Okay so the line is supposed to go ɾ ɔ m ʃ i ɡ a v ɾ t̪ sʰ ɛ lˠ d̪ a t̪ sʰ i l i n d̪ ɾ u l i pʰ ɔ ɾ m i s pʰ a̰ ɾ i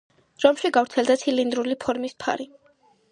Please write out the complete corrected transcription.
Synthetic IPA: ɾ ɔ m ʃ i ɡ a v ɾ t̪ sʰ ɛ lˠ d̪ a t̪ sʰ i l i n d̪ ɾ u l i pʰ ɔ ɾ m i s pʰ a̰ ɾ i